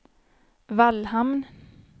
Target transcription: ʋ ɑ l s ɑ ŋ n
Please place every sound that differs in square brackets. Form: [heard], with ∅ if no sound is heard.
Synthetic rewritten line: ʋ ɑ l [h] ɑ [m] n